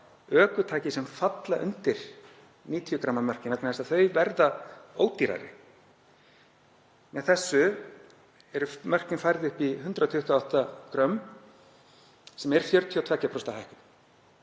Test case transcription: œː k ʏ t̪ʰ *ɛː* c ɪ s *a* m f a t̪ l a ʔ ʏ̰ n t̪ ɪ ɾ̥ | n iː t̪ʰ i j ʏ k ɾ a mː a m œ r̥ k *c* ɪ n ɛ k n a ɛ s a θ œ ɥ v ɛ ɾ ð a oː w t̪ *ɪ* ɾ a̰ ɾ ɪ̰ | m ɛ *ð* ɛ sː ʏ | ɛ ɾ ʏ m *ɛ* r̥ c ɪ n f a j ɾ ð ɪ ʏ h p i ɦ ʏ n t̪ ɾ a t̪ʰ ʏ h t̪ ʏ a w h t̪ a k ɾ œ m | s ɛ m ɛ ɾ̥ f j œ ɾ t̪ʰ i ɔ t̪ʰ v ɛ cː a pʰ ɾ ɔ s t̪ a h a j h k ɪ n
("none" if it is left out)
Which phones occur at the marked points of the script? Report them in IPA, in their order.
aː, ɛ, c, i, θ, œ

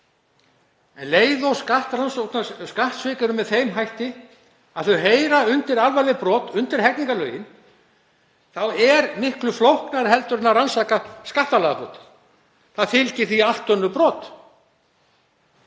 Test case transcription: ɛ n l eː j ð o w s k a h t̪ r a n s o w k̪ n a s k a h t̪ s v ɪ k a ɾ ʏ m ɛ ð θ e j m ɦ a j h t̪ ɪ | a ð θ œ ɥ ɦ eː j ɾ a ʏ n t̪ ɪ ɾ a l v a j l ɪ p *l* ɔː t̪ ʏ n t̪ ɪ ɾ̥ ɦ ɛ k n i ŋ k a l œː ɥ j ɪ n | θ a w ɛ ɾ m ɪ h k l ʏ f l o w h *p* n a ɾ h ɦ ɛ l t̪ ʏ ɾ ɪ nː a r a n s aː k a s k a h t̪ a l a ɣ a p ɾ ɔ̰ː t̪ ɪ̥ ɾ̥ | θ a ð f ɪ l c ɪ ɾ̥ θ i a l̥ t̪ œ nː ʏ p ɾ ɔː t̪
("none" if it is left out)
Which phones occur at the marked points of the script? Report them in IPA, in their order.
ɾ, k

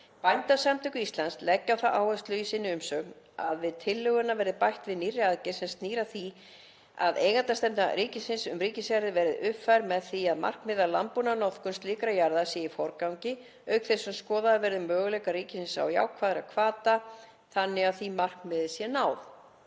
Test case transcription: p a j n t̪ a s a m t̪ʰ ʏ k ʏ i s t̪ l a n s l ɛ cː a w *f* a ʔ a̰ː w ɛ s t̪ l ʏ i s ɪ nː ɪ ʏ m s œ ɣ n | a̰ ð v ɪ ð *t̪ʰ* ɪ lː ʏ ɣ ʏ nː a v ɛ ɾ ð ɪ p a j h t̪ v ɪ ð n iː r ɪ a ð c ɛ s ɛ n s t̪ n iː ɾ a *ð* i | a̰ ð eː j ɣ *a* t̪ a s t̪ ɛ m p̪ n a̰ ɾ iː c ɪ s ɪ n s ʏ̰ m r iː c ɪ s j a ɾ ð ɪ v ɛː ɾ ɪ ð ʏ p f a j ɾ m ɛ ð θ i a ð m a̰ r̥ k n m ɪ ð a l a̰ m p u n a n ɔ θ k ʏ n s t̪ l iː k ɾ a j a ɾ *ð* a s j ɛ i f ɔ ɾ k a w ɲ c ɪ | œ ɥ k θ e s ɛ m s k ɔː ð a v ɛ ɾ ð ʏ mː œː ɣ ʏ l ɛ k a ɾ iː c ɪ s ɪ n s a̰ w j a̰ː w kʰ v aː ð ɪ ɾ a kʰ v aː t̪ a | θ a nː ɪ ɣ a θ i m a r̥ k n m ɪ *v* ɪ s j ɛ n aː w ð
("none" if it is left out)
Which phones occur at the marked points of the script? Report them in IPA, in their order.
θ, t̪ʰ, θ, a, ð, ð

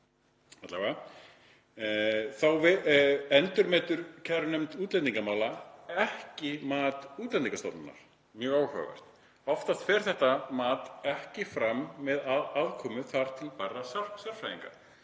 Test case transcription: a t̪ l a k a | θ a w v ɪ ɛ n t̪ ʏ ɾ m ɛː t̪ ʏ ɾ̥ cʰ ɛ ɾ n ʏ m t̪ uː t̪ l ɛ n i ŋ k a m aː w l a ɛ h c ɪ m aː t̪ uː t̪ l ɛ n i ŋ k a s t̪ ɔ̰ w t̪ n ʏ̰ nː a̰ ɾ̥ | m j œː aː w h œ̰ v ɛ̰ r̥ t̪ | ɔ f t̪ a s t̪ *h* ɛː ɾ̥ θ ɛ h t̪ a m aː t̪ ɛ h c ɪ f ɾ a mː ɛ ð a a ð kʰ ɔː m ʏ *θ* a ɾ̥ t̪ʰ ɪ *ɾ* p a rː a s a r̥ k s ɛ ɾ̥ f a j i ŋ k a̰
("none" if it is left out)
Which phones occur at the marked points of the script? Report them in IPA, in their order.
f, θ, l

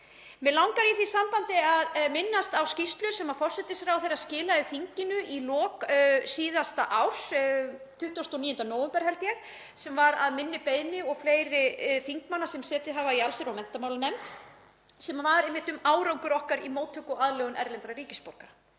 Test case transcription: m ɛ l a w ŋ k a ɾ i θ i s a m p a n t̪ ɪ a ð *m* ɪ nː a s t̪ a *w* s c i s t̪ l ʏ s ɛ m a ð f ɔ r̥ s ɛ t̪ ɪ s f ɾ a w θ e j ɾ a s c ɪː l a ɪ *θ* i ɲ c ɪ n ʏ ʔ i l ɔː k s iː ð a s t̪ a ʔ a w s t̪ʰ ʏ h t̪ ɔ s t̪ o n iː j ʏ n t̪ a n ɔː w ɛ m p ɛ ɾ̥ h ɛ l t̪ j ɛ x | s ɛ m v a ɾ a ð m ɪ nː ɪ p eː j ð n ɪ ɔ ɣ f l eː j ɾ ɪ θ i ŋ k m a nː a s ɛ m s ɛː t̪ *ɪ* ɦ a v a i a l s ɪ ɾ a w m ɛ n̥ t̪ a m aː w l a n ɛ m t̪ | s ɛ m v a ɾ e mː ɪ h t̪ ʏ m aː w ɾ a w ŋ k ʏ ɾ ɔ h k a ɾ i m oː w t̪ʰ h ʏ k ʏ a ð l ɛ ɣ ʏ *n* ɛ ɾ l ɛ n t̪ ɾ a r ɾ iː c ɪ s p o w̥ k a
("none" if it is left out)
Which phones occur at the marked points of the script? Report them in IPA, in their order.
m, w, θ, ɪ, n

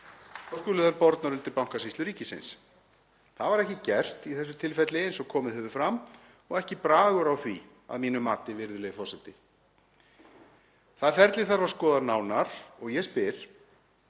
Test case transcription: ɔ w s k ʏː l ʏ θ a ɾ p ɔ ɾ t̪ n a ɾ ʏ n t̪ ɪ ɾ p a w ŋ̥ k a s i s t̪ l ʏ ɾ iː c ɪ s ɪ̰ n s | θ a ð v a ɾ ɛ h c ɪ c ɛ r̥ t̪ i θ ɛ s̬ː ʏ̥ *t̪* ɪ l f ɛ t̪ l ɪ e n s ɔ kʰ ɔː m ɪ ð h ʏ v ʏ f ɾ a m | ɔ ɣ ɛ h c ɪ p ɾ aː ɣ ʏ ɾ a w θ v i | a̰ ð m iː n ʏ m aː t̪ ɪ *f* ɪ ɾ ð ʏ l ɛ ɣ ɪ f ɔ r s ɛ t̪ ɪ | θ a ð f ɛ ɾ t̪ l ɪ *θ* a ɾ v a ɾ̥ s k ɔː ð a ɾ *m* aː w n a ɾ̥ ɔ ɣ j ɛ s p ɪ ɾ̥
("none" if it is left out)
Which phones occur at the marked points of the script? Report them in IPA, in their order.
t̪ʰ, v, θ, n

